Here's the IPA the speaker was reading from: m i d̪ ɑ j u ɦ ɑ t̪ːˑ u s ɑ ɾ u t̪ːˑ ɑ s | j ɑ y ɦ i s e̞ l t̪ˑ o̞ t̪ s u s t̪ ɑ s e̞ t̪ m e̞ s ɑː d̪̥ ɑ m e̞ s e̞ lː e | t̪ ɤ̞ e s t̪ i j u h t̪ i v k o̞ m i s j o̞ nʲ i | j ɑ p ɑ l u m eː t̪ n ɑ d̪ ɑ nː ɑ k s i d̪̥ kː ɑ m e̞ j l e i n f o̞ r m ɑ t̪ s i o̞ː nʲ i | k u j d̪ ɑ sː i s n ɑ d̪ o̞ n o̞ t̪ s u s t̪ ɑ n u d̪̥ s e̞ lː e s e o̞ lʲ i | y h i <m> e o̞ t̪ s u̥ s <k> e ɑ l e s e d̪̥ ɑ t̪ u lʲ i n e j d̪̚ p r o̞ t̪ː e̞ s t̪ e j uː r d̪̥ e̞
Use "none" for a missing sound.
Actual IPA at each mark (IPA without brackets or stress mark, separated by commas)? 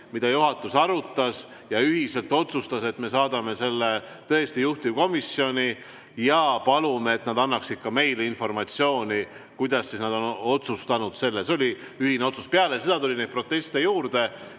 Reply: n, p